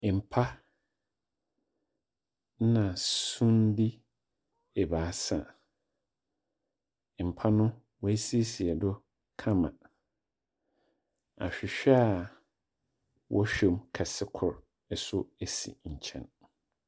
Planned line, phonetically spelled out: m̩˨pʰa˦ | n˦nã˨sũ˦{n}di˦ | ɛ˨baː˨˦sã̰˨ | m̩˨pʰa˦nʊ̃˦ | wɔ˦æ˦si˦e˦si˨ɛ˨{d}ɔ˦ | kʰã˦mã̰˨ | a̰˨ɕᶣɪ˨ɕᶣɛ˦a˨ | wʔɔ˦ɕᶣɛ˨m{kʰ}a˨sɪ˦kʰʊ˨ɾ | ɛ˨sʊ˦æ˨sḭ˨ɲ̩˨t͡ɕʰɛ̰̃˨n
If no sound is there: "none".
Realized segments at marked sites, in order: n, d, kʰ

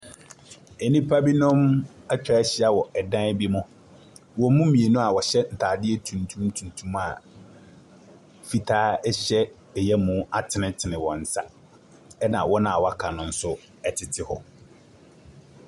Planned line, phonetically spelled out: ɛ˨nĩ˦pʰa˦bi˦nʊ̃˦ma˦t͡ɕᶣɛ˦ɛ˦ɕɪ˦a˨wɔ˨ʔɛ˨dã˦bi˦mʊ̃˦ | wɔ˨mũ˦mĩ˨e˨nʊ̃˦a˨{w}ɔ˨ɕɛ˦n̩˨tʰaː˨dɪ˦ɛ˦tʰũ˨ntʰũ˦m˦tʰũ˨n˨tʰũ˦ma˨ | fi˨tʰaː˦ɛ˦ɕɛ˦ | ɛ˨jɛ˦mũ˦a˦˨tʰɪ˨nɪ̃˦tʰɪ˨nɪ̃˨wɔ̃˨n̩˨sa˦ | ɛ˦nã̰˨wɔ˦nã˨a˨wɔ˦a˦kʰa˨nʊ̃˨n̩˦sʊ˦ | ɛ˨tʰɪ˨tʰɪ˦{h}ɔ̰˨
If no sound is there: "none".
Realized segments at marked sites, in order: w, h

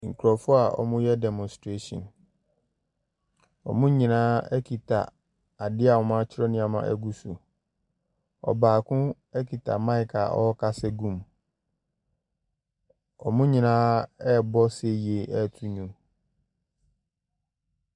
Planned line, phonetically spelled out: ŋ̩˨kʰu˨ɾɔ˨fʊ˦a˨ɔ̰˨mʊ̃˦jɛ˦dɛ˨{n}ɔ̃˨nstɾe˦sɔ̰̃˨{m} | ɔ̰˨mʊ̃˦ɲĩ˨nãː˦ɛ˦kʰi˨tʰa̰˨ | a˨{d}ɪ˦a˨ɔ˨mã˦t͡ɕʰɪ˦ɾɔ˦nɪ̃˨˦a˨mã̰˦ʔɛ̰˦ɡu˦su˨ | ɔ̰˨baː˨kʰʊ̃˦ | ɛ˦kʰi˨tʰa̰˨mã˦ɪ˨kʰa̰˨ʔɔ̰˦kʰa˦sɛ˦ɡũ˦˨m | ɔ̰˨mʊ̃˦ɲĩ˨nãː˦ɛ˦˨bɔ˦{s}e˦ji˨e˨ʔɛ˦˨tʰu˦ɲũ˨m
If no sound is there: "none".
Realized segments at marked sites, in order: m, n, d, s

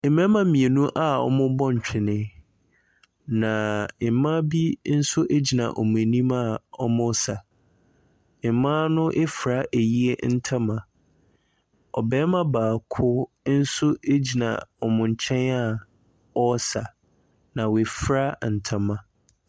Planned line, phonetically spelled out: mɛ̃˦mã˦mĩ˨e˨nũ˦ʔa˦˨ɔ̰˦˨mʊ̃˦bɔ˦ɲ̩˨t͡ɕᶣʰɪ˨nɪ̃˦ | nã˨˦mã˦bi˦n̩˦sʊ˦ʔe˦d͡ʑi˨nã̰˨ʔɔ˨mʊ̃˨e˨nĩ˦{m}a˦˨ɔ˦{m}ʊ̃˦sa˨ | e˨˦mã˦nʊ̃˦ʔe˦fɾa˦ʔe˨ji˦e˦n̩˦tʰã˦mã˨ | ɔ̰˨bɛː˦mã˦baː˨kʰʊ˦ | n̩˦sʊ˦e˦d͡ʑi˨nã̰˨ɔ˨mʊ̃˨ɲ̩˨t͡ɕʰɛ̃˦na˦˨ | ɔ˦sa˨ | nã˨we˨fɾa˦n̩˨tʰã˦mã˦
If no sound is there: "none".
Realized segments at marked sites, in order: m, m

